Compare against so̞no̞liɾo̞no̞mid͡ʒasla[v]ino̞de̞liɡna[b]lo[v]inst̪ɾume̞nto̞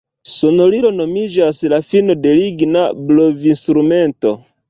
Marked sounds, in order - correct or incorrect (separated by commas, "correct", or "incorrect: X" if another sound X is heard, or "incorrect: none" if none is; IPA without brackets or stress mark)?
incorrect: f, correct, correct